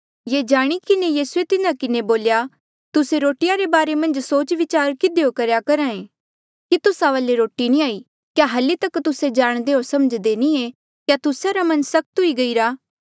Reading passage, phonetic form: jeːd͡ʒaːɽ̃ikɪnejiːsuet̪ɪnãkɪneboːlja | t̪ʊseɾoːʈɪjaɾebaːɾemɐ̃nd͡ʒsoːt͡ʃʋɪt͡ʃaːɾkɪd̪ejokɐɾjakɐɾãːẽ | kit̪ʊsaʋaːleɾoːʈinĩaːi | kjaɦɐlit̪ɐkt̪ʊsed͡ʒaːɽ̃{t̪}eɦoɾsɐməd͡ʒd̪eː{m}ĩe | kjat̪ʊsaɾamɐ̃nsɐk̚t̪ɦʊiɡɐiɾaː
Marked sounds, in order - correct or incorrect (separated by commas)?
incorrect, incorrect